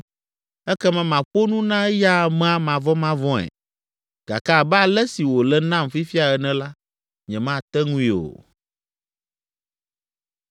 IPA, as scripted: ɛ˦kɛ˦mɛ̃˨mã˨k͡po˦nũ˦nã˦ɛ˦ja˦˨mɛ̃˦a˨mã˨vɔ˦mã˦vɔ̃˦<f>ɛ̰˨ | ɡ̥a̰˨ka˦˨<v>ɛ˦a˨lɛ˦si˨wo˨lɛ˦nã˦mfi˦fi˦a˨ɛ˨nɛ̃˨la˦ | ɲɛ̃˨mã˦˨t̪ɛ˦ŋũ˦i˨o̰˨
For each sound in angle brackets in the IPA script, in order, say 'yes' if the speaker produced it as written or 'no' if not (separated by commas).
no, no